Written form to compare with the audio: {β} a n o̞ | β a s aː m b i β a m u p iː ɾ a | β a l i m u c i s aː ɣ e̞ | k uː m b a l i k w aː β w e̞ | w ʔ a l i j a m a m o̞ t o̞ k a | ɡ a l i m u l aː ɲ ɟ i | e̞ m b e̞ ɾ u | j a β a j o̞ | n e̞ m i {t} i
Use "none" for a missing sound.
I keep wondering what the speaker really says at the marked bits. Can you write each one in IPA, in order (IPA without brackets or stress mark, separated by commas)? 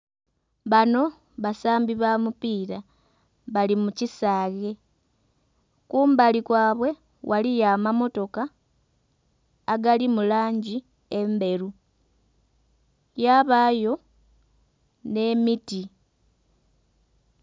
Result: β, t